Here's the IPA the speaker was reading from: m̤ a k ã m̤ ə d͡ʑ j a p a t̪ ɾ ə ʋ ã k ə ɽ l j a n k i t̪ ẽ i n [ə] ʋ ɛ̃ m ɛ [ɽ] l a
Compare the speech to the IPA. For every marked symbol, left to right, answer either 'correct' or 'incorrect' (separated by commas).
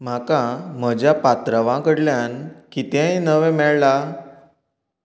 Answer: correct, incorrect